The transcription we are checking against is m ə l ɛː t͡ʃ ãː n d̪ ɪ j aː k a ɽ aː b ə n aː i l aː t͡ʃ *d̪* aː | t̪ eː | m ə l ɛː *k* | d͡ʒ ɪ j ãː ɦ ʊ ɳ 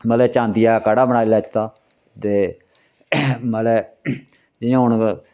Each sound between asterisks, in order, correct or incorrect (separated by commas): incorrect, incorrect